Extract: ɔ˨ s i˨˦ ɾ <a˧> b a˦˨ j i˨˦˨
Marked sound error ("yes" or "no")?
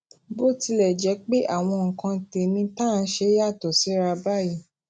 no